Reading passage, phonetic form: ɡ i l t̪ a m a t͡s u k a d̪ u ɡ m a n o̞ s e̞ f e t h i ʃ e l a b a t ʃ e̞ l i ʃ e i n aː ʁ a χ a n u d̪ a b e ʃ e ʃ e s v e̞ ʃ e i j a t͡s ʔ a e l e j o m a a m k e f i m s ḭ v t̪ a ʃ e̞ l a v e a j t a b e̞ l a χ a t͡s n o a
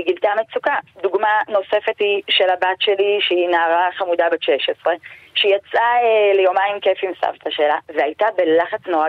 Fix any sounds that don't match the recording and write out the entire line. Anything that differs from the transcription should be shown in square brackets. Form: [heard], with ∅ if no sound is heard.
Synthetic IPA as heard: ɡ i l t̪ a m [e] t͡s u k a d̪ u ɡ m a n o̞ s e̞ f e t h i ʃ e l a b a t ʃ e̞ l i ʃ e i n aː ʁ a χ a [m] u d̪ a b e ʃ e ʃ e s [ʁ] e̞ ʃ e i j a t͡s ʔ a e l e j o m a [i] m k e f i m s [a̰] v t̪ a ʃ e̞ l a v e a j t a b e̞ l a χ a t͡s n o a